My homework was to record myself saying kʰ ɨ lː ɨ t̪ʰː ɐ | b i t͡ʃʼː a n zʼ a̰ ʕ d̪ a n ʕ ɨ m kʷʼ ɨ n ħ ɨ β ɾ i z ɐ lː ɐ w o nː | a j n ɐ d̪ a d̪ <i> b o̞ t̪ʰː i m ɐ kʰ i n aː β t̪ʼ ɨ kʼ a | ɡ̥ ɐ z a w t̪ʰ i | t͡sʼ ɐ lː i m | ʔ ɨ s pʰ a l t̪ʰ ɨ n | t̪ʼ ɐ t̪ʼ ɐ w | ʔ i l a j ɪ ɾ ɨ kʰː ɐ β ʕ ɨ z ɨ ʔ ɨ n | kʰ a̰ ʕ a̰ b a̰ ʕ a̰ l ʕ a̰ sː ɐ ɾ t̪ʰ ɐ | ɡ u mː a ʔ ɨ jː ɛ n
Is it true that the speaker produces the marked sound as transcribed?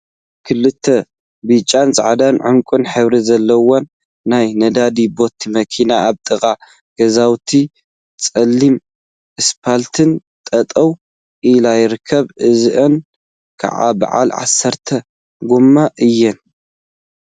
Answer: yes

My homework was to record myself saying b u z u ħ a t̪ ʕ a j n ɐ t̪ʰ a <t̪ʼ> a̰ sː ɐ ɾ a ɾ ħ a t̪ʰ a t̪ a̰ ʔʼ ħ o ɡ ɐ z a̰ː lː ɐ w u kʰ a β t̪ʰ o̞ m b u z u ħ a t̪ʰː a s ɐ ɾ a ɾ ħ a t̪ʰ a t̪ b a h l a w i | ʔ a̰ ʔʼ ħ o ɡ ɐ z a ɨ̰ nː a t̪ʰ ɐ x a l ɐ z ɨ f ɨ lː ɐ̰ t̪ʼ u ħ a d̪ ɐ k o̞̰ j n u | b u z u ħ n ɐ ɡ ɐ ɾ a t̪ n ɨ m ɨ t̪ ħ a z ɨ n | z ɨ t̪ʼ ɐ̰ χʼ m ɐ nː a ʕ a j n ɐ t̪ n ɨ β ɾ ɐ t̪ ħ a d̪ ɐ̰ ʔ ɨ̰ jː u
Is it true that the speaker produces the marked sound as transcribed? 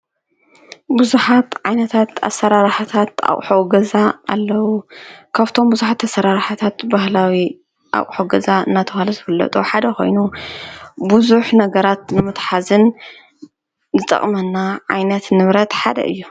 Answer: no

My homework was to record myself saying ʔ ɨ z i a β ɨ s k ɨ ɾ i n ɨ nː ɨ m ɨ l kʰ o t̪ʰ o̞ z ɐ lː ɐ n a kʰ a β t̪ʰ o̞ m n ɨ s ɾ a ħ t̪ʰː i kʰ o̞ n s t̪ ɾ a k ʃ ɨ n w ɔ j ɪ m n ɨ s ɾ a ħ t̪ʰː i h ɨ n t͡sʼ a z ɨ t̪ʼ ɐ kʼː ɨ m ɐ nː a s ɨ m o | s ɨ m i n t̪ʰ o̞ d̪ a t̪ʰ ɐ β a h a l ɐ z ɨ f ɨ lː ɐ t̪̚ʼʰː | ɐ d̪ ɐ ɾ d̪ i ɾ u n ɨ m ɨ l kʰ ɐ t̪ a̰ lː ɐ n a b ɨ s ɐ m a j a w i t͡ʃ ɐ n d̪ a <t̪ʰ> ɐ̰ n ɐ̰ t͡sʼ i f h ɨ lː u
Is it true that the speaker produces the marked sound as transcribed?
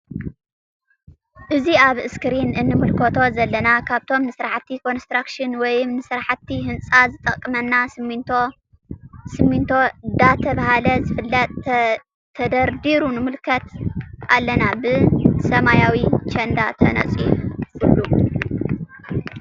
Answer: yes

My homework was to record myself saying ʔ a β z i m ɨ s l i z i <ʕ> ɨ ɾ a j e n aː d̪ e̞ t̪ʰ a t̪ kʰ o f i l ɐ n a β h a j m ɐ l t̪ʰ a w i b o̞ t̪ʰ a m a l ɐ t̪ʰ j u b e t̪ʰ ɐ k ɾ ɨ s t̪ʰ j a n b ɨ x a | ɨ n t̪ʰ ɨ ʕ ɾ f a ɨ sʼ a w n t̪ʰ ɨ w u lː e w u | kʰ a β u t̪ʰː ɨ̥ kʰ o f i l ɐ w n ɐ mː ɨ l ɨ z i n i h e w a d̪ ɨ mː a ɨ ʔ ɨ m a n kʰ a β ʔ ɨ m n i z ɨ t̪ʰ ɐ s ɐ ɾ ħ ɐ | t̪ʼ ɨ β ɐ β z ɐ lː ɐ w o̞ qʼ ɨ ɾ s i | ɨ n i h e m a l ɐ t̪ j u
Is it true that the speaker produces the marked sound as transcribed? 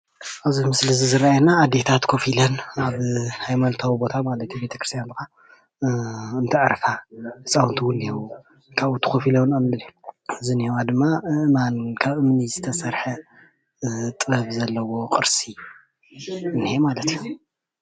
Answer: no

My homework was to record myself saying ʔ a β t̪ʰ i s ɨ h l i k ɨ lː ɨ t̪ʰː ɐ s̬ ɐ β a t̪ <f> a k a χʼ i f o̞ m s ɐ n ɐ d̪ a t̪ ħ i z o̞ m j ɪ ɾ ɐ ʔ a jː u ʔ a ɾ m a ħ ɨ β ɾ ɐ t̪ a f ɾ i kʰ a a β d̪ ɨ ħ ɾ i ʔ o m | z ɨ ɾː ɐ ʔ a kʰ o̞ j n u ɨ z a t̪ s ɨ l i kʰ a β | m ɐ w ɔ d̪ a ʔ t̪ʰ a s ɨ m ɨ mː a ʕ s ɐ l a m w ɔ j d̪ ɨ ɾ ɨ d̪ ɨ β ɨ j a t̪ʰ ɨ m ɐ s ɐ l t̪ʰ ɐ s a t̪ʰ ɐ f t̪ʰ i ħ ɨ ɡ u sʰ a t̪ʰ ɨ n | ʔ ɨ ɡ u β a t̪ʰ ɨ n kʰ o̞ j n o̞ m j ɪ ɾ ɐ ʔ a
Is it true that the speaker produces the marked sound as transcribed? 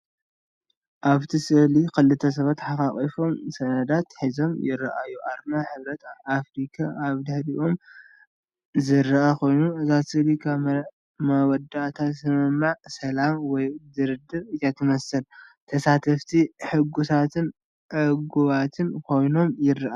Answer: no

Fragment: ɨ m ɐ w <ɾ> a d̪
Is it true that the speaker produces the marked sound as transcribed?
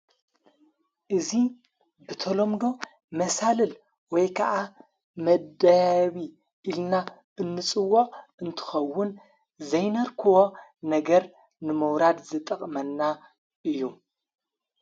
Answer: yes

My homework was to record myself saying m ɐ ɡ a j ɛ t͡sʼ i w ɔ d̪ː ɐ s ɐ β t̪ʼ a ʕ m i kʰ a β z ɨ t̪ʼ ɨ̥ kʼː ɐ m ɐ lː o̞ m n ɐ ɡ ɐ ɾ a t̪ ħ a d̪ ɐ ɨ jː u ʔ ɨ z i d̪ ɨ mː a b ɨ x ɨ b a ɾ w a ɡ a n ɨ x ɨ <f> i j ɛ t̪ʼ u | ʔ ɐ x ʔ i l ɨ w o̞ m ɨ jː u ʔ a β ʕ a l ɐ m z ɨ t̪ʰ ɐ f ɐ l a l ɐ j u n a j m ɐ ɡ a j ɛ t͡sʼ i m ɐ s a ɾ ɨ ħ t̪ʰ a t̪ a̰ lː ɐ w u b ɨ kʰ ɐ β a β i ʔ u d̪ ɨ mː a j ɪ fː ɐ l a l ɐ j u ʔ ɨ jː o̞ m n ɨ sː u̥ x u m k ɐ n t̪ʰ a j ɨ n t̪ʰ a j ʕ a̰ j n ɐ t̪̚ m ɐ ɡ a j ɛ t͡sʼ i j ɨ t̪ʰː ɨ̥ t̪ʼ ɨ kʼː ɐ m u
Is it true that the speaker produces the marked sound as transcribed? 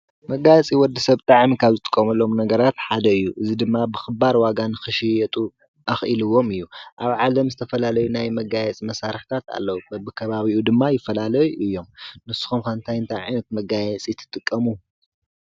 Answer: no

